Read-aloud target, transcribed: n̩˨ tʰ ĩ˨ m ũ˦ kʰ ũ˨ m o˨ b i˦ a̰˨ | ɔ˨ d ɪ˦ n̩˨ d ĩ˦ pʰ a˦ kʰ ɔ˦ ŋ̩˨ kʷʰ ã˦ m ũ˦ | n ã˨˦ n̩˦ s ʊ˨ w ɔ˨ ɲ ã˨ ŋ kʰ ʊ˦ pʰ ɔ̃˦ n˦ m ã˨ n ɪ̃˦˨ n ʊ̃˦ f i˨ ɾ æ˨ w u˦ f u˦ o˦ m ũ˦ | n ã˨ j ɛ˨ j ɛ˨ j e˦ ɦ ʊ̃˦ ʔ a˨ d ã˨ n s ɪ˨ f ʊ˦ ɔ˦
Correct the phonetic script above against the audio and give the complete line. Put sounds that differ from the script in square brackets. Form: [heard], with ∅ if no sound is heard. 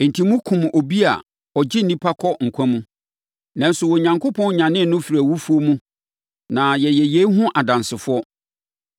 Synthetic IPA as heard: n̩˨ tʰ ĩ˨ m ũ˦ kʰ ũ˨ m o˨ b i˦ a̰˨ | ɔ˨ [d͡ʑ] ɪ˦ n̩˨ [n] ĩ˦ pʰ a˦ kʰ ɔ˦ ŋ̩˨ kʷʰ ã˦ m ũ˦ | n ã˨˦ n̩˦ s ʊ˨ w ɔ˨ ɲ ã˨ ŋ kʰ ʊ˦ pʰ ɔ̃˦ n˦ [ɲ] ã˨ n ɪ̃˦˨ n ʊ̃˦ f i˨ ɾ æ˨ w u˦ f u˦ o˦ m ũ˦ | n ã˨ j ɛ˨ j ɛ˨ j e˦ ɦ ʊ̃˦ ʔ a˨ d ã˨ n s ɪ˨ f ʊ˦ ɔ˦